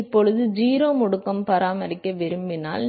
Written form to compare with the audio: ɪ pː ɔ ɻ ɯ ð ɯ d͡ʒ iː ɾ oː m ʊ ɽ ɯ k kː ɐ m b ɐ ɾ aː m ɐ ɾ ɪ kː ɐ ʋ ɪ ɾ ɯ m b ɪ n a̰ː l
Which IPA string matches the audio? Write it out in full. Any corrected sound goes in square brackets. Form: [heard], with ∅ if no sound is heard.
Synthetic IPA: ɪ pː ɔ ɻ ɯ ð ɯ d͡ʒ iː ɾ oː m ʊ ɽ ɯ k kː ɐ m [p] ɐ ɾ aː m ɐ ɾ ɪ kː ɐ ʋ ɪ ɾ ɯ m b ɪ n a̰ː l